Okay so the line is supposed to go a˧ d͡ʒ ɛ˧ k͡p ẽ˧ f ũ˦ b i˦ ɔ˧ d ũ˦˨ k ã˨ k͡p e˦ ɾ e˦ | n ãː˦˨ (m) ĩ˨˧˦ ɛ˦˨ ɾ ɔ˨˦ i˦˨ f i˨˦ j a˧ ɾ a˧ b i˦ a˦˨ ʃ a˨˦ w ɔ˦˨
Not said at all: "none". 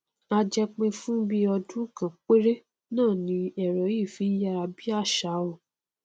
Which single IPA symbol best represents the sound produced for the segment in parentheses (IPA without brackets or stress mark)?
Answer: n